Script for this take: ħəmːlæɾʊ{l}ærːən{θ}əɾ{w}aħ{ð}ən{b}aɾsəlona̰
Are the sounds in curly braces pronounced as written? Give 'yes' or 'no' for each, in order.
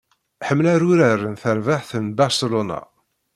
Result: no, yes, no, no, yes

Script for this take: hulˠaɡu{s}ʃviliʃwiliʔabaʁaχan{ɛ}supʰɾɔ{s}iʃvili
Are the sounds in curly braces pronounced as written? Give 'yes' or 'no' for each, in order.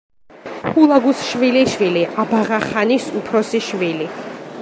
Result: yes, no, yes

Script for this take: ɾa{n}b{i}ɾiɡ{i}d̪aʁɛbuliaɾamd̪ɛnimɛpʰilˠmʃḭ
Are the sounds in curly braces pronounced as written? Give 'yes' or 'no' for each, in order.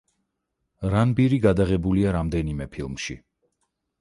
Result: yes, yes, no

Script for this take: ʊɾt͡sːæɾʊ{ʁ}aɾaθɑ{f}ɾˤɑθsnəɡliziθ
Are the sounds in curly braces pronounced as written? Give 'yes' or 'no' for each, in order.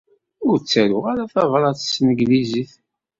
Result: yes, no

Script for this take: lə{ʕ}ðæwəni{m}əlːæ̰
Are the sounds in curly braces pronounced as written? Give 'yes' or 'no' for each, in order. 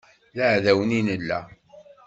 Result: yes, no

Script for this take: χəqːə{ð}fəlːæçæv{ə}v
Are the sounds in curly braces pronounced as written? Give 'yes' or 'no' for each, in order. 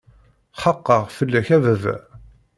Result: no, yes

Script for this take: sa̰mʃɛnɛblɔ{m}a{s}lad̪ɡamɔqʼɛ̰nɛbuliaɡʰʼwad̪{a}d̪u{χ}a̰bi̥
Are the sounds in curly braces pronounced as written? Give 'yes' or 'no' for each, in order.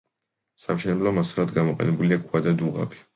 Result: yes, yes, yes, no

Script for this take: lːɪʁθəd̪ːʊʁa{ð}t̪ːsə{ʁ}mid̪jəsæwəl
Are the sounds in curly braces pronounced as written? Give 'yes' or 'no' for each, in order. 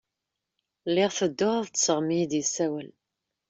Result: yes, yes

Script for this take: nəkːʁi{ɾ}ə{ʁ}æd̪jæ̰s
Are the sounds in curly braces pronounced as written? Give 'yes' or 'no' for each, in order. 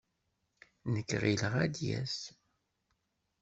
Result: no, yes

